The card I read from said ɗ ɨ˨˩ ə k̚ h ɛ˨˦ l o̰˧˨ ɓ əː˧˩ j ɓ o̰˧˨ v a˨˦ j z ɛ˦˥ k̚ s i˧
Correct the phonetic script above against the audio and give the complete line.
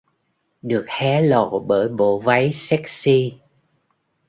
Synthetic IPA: ɗ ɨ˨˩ ə k̚ h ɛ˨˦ l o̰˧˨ ɓ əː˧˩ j ɓ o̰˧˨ v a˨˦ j s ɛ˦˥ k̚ s i˧